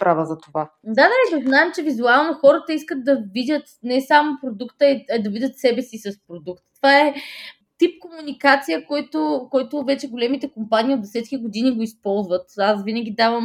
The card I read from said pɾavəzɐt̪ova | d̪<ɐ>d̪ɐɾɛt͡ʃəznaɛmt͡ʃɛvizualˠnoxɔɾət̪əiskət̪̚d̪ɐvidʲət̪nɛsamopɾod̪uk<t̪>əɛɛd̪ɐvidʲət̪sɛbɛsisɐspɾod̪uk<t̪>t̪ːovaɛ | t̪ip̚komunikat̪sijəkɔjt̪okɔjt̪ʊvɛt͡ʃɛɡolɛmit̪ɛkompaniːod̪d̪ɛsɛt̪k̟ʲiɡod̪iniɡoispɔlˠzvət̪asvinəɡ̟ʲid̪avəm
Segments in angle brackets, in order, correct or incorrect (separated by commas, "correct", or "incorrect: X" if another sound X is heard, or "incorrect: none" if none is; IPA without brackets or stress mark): incorrect: a, correct, correct